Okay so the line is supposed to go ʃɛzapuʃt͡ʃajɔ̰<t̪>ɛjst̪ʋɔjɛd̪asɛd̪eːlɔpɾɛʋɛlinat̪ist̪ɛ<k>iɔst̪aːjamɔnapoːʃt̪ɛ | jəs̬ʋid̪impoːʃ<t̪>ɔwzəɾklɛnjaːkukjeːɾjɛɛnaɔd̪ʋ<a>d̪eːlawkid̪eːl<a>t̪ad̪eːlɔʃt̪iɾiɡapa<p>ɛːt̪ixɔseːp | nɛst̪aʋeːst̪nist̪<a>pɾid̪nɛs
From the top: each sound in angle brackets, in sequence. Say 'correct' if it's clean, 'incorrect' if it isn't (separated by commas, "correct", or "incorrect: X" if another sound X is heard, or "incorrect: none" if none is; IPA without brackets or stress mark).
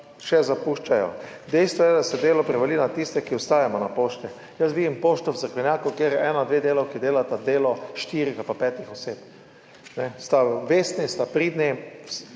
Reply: incorrect: d̪, correct, correct, incorrect: e, correct, correct, correct